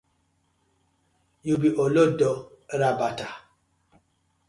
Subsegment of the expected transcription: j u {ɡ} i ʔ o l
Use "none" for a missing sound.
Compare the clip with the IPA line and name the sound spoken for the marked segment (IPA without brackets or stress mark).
b